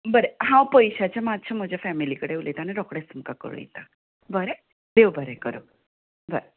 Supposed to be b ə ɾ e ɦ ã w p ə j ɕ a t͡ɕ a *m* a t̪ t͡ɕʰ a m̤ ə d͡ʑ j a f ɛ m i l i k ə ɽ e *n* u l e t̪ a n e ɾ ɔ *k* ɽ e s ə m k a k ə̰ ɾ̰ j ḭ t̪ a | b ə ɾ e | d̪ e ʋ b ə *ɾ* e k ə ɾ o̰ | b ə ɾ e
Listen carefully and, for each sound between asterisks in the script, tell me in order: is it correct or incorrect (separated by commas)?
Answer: correct, incorrect, correct, correct